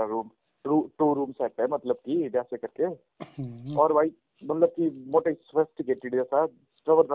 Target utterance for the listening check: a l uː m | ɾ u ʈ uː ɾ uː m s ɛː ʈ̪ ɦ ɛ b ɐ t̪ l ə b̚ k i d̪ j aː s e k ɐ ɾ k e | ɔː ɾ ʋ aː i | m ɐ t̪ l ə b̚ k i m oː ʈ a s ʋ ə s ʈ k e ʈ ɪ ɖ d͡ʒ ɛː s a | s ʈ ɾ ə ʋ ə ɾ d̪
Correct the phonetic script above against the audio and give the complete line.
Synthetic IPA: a ɾ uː m | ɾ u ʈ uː ɾ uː m s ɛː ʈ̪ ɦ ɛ m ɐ t̪ l ə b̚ k i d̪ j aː s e k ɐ ɾ k e | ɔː ɾ ʋ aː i | m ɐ t̪ l ə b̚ k i m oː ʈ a s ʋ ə s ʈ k e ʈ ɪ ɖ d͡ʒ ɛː s a | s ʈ ɾ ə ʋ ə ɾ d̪